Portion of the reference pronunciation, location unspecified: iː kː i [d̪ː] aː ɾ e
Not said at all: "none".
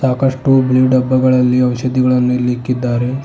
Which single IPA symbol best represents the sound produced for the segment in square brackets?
d̪ː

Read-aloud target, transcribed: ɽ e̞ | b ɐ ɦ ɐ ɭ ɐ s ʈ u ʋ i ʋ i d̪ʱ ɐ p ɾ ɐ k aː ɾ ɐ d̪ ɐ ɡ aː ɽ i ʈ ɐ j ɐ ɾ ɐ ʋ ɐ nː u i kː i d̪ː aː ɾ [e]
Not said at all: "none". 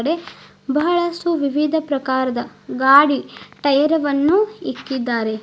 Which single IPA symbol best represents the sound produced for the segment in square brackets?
e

